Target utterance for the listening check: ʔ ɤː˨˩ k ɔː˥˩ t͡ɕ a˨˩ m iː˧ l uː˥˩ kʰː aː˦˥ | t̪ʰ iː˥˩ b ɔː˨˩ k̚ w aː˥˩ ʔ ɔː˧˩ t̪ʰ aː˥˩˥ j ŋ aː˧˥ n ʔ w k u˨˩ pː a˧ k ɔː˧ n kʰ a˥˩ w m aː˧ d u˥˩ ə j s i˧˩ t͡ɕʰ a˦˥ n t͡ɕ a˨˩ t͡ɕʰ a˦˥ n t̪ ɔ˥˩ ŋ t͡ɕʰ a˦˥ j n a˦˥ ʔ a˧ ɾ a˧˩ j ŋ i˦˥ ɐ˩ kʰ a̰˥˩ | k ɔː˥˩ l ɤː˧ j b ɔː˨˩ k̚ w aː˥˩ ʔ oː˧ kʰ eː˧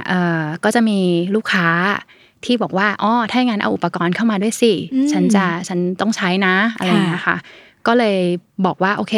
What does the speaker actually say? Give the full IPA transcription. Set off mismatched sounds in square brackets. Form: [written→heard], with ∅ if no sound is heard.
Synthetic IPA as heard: ʔ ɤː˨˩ k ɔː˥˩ t͡ɕ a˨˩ m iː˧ l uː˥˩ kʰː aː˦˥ | t̪ʰ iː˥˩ b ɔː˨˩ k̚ w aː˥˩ ʔ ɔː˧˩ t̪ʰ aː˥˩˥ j ŋ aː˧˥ n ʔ w [k→ʔ] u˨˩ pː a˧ k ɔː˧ n kʰ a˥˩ w m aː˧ d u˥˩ ə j s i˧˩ t͡ɕʰ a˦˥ n t͡ɕ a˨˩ t͡ɕʰ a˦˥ n t̪ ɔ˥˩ ŋ t͡ɕʰ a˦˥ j n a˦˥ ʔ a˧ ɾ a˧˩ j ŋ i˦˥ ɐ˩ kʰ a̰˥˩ | k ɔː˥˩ l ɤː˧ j b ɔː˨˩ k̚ w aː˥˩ ʔ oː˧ kʰ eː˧